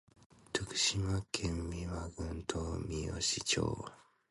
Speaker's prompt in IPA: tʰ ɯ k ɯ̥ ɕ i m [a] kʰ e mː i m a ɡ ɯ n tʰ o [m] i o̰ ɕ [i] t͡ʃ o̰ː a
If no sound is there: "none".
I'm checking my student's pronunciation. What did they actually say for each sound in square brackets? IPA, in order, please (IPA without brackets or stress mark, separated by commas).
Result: a, m, i